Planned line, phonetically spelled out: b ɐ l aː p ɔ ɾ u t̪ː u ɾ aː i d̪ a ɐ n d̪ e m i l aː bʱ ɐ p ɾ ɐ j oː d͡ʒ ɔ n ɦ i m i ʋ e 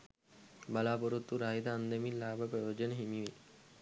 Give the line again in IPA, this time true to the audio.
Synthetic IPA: b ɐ l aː p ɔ ɾ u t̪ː u ɾ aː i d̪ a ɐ n d̪ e m i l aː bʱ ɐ p ɾ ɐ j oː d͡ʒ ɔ n ɦ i m i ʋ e

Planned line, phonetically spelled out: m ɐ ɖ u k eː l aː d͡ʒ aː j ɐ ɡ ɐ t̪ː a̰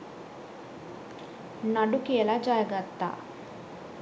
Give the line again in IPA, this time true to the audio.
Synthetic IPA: n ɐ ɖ u k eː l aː d͡ʒ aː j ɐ ɡ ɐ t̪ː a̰

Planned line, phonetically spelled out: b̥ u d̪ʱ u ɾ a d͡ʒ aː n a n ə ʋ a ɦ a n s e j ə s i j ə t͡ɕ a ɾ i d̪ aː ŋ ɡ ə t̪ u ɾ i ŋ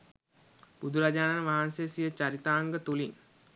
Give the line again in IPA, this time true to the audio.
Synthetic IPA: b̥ u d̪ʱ u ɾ a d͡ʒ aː n a n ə ʋ a ɦ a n s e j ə s i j ə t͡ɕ a ɾ i t̪ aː ŋ ɡ ə t̪ u l i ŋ

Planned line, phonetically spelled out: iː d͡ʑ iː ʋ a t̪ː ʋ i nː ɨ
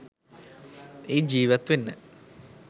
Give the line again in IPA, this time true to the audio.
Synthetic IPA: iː d͡ʑ iː ʋ ɐ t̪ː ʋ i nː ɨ

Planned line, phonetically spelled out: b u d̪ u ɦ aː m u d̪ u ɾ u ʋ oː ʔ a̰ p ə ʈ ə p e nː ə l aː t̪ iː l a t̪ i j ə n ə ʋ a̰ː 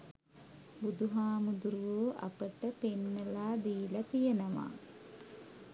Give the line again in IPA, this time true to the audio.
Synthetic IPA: b u d̪ u ɦ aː m u d̪ u ɾ u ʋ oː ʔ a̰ p ə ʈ ə p e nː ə l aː d̪ iː l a t̪ i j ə n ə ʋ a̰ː

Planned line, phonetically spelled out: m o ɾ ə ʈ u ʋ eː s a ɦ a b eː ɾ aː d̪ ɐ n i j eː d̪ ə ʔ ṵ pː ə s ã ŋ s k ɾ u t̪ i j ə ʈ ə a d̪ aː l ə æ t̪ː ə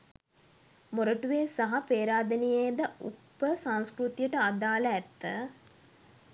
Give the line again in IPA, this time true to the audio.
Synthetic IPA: m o ɾ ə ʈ u ʋ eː s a ɦ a p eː ɾ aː d̪ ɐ n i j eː d̪ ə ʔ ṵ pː ə s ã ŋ s k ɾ u t̪ i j ə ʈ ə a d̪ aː l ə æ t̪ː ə

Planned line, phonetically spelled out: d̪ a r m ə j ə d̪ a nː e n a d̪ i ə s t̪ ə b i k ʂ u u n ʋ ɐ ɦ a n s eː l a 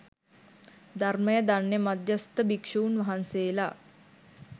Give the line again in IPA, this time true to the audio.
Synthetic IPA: d̪ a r m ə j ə d̪ a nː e m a d̪ j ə s t̪ ə b i k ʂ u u n ʋ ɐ ɦ a n s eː l a

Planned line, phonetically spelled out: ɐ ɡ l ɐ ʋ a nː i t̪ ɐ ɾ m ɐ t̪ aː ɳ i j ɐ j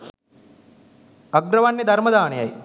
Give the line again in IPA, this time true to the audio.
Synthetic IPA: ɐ ɡ ɾ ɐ ʋ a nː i d̪ ɐ ɾ m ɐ d̪ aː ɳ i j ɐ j

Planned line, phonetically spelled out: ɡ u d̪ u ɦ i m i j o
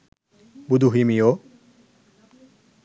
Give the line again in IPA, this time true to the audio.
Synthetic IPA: b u d̪ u ɦ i m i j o

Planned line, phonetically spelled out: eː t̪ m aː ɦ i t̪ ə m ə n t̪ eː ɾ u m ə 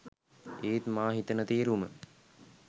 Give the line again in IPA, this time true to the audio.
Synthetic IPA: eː t̪ m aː ɦ i t̪ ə n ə t̪ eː ɾ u m ə

